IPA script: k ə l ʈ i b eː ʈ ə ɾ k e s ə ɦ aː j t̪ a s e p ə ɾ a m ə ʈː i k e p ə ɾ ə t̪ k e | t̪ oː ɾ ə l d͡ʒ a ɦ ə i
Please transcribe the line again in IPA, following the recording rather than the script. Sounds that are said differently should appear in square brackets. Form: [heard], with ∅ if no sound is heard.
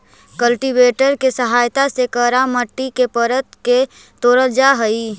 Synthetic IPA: k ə l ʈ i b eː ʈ ə ɾ k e s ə ɦ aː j t̪ a s e [k] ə ɾ a m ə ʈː i k e p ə ɾ ə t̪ k e | t̪ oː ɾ ə l d͡ʒ a ɦ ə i